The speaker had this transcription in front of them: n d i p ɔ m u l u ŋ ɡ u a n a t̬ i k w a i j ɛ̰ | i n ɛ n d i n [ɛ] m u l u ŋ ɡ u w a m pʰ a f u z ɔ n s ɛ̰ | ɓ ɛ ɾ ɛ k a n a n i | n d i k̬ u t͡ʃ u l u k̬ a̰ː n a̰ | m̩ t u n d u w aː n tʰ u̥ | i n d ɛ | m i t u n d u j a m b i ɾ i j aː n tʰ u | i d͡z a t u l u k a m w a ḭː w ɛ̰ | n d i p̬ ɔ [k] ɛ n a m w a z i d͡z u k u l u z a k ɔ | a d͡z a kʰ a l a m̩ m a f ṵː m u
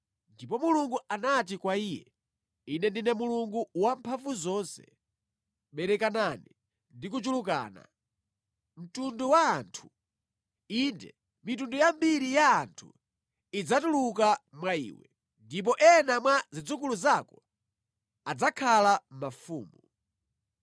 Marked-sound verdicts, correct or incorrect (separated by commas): correct, incorrect